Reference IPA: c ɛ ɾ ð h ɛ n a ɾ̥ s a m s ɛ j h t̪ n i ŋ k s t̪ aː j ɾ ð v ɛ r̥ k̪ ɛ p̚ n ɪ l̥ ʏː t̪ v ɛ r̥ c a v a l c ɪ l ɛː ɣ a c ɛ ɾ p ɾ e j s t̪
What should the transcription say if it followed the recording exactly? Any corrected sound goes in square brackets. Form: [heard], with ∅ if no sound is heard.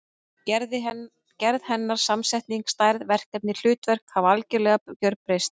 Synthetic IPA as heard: c ɛ ɾ ð h ɛ [nː] a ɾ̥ s a m s ɛ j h t̪ n i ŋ k s t̪ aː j ɾ ð v ɛ r̥ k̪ ɛ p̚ n ɪ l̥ ʏː t̪ v ɛ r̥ [k] a v a l c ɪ l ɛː ɣ a c [œ] ɾ p ɾ e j s t̪